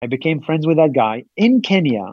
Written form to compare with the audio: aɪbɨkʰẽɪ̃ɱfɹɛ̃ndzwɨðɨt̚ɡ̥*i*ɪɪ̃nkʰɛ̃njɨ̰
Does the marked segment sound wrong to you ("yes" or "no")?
yes